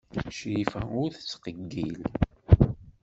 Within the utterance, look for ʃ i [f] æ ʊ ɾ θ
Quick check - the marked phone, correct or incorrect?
correct